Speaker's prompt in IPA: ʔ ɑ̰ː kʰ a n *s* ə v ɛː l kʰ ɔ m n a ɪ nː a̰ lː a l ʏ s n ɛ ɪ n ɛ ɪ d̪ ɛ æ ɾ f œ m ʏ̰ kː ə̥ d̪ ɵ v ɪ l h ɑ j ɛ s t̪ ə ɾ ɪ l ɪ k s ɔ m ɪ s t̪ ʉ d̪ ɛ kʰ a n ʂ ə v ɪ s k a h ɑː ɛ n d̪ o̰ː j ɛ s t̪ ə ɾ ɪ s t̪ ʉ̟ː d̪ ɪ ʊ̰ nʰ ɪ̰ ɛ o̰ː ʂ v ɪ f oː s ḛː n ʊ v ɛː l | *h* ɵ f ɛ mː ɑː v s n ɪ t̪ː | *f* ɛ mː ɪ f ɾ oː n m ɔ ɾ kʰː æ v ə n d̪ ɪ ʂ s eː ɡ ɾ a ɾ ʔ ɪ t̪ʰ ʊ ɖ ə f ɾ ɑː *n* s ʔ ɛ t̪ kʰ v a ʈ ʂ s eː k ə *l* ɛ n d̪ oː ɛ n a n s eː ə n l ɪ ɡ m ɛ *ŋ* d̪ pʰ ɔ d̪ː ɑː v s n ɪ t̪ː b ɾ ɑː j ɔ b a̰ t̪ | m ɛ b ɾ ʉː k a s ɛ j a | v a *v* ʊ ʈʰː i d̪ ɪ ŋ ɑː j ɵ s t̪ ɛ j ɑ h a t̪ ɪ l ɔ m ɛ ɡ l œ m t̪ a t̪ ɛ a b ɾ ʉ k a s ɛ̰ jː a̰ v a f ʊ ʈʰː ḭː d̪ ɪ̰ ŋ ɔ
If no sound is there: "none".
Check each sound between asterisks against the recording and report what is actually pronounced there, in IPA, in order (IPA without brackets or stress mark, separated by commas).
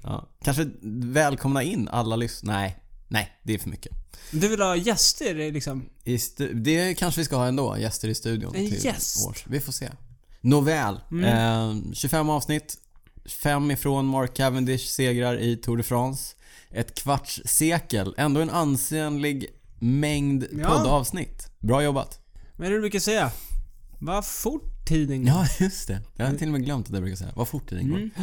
ʂ, ɕ, f, n, l, ŋ, f